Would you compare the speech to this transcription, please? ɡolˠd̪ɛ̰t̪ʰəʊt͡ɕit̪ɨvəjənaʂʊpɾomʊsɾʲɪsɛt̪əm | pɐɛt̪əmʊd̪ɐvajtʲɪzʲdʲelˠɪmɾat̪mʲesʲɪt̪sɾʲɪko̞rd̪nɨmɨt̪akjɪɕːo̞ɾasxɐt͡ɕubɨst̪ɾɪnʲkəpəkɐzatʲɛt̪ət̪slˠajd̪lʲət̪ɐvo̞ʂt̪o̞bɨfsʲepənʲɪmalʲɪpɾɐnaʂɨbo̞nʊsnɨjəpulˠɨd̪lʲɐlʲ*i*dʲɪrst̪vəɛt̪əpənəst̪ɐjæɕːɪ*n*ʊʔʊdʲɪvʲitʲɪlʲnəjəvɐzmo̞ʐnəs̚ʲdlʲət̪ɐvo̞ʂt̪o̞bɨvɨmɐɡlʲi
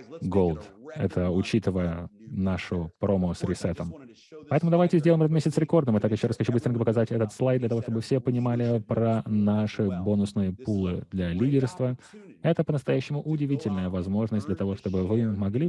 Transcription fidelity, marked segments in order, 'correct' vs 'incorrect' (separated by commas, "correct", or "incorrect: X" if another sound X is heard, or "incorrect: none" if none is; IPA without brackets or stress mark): correct, incorrect: m